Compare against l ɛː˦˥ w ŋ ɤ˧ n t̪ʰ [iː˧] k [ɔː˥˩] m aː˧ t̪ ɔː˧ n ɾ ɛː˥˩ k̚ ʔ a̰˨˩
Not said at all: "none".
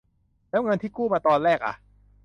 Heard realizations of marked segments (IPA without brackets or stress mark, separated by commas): iː˥˩, uː˥˩